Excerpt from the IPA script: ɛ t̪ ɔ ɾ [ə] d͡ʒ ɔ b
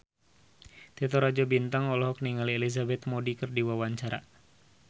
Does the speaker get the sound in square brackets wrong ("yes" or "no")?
yes